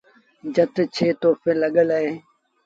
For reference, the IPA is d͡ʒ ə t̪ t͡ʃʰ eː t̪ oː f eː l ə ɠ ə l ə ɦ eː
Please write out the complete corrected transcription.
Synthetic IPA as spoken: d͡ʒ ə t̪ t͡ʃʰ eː t̪ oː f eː l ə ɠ ə l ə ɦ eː